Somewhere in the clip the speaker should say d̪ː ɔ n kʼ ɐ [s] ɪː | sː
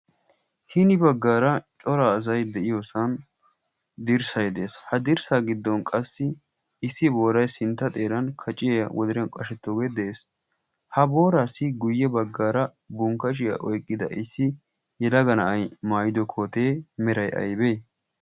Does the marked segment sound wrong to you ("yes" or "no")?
yes